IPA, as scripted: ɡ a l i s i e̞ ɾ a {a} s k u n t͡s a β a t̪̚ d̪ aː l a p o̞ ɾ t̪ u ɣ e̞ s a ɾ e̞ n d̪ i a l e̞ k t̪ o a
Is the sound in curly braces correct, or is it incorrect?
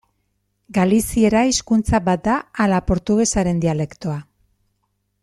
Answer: incorrect